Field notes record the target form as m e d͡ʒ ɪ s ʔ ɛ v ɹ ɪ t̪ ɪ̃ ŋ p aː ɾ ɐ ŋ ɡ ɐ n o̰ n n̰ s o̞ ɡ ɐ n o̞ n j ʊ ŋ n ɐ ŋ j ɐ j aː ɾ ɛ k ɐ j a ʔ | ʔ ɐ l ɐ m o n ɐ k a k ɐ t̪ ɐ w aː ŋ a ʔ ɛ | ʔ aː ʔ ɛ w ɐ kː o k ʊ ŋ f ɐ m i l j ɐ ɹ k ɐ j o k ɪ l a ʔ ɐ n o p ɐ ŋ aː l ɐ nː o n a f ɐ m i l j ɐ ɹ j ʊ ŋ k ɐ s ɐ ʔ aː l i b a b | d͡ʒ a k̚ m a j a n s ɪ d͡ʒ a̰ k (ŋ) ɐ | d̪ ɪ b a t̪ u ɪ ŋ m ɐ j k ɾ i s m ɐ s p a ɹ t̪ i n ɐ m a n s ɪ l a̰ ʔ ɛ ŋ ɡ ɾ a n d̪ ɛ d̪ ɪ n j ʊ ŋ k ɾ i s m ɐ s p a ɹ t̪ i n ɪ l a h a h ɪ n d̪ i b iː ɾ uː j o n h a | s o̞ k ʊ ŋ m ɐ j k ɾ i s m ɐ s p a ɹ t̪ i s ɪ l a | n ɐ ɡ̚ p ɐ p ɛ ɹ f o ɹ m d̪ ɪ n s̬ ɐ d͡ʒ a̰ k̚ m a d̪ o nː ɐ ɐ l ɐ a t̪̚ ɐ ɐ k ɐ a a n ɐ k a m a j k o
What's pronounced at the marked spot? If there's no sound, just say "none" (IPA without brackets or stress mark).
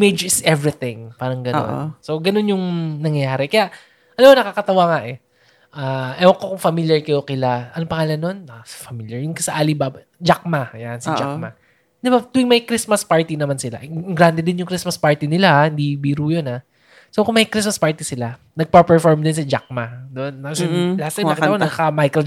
m